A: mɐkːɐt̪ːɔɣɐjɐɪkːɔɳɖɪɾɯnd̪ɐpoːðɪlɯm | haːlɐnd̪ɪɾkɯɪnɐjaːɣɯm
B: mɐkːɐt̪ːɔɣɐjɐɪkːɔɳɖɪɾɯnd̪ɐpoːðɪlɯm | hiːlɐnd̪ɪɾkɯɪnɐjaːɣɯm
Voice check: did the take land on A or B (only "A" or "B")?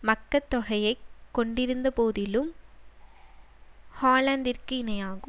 A